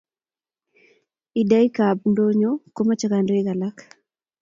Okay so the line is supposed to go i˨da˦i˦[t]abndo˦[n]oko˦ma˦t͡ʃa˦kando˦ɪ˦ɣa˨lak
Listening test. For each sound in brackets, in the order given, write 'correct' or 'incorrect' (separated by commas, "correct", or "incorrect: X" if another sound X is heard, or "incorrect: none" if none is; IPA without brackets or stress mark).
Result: incorrect: k, incorrect: ɲ